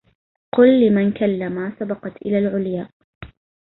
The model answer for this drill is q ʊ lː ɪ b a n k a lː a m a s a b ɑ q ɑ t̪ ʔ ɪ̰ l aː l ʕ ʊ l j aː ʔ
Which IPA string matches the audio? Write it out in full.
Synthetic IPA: q ʊ lː ɪ m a n k a lː a m a s a b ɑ q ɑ t̪ ʔ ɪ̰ l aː l ʕ ʊ l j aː ʔ